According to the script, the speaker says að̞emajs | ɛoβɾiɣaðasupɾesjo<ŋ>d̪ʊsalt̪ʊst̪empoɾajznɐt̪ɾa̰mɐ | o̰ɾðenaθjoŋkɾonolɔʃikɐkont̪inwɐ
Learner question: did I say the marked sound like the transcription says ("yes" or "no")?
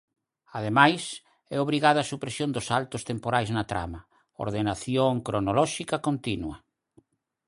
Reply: no